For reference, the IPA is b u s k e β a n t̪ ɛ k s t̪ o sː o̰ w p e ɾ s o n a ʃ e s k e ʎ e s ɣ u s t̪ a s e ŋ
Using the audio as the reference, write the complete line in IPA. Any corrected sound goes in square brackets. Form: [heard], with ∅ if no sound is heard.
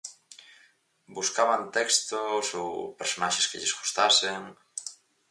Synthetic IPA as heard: b u s k [a] β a n t̪ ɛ k s t̪ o [s] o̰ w p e ɾ s o n a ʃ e s k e ʎ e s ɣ u s t̪ a s e ŋ